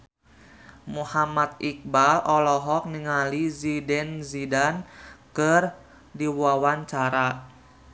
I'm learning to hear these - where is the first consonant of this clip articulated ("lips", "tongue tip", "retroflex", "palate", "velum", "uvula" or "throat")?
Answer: lips